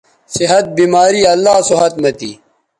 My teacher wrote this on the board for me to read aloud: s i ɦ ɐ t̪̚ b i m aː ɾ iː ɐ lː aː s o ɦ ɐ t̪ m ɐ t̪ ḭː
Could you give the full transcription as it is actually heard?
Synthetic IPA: s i ɦ ɐ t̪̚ b i m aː ɾ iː ɐ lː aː s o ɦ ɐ t̪ m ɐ t̪ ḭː